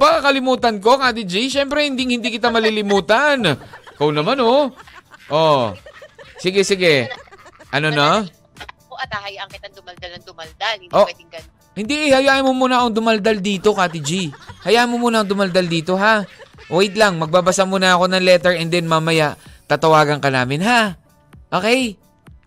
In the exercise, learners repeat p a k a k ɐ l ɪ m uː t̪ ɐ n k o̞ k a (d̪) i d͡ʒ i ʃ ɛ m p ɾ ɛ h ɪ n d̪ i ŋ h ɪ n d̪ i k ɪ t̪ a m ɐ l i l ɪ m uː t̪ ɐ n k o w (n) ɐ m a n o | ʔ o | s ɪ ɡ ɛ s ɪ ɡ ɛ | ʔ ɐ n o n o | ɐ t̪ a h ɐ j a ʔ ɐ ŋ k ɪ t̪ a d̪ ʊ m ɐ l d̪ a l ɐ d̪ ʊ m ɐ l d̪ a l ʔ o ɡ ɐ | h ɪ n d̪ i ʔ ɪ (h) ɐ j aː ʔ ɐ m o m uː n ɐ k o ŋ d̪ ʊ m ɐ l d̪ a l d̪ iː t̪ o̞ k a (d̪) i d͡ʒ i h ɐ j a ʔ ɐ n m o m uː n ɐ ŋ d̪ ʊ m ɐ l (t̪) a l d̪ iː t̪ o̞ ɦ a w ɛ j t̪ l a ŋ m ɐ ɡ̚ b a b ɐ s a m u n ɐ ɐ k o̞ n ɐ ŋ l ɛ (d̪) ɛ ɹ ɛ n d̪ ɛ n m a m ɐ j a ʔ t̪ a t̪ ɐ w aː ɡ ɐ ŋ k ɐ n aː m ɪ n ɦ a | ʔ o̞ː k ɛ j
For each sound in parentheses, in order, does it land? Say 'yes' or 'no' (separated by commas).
no, yes, yes, no, no, no